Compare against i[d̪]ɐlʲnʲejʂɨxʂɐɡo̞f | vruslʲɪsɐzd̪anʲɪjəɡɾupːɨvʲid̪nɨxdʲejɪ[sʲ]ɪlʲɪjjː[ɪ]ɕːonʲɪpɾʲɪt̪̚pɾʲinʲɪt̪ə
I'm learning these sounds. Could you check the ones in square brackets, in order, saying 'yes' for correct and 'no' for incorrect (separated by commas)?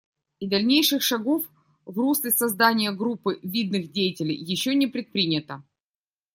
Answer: yes, no, yes